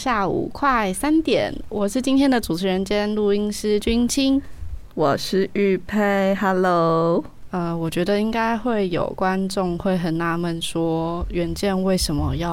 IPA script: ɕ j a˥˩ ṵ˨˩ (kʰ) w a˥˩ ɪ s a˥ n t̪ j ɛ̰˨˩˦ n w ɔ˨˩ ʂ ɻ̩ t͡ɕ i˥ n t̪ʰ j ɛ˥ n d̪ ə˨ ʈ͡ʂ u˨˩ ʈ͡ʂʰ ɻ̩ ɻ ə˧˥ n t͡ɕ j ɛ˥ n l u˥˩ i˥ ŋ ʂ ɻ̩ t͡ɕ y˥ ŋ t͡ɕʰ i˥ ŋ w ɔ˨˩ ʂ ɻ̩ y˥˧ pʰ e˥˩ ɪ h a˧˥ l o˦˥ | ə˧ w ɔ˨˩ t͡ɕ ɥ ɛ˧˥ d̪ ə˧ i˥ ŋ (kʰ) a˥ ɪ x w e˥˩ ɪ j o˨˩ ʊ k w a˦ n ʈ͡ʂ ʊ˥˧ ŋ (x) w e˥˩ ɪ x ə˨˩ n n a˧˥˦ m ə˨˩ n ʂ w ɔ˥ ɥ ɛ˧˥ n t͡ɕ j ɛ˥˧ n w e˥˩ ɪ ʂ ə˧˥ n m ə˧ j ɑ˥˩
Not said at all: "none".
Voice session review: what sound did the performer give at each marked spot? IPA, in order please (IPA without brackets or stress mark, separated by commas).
kʰ, k, x